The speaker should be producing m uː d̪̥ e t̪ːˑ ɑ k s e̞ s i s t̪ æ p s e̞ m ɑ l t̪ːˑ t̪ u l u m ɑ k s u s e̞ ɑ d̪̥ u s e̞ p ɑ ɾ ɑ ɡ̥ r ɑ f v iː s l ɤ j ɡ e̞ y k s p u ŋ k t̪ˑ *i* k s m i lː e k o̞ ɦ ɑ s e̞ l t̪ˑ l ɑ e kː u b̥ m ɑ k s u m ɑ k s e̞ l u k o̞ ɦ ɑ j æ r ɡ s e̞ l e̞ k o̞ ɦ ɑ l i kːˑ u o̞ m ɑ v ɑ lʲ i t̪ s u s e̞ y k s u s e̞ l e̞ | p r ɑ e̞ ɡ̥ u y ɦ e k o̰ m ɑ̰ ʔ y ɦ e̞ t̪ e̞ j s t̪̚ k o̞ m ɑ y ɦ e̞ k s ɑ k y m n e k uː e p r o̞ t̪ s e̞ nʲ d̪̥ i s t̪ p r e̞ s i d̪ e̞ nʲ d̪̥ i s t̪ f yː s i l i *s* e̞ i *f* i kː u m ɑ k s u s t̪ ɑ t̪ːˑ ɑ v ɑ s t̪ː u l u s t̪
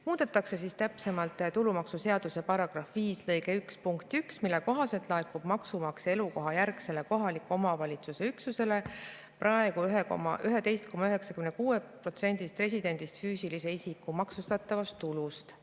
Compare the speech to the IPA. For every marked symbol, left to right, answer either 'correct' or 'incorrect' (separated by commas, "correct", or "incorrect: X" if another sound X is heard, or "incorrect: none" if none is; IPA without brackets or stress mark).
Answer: incorrect: y, correct, incorrect: s